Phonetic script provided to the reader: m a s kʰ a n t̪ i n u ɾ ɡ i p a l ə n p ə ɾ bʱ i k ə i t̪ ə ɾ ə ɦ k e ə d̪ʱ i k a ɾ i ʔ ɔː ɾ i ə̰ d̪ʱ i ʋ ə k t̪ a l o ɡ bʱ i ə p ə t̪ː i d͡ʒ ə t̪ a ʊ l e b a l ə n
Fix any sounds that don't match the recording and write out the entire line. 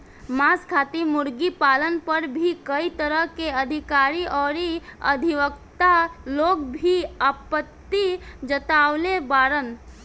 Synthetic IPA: m a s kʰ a t̪ i m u ɾ ɡ i p a l ə n p ə ɾ bʱ i k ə i t̪ ə ɾ ə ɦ k e ə d̪ʱ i k a ɾ i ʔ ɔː ɾ i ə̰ d̪ʱ i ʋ ə k t̪ a l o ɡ bʱ i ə p ə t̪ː i d͡ʒ ə t̪ a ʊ l e b a ɾ ə n